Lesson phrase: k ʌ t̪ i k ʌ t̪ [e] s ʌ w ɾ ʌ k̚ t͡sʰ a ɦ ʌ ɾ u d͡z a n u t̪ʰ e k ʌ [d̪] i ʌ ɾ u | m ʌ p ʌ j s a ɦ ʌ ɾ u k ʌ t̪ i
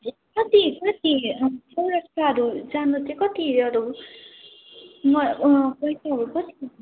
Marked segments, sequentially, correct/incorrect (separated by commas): incorrect, incorrect